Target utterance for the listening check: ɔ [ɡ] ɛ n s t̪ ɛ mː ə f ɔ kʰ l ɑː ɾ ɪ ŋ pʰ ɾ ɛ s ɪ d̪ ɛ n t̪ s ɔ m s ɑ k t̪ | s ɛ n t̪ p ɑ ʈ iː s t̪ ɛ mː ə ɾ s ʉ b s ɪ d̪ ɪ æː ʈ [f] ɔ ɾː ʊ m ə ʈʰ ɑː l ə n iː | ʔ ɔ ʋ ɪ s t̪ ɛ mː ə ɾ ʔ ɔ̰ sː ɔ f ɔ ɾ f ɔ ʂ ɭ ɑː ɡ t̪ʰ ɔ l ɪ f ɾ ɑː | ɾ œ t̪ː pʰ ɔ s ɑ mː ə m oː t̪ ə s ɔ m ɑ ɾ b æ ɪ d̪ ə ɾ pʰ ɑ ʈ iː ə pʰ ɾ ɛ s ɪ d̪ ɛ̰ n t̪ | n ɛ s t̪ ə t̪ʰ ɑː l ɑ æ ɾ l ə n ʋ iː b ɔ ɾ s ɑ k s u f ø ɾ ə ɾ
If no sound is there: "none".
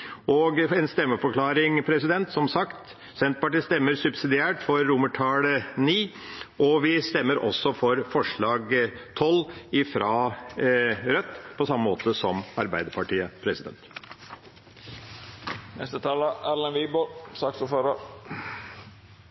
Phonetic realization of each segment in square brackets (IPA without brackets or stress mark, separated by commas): ɡ, f